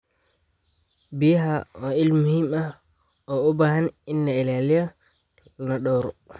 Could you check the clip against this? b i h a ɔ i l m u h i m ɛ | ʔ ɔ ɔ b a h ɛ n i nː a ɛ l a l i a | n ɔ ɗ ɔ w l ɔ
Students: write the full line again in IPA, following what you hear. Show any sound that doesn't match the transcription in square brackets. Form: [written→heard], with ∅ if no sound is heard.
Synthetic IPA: b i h a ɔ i l m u h i m [ɛ→a] | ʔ ɔ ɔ b a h [ɛ→a] n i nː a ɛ l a l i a | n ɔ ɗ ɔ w [l→ɾ] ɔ